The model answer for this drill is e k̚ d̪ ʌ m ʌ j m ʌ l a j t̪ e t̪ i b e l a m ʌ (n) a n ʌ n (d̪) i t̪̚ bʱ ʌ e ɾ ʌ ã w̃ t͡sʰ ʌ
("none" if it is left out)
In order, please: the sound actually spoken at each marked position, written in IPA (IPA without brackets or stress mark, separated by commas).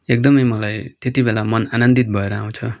n, d̪